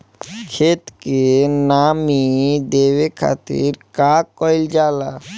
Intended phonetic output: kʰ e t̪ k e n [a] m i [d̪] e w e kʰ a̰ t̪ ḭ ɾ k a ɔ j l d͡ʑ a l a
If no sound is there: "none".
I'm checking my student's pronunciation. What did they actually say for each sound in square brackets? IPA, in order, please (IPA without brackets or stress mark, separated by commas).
a, d̪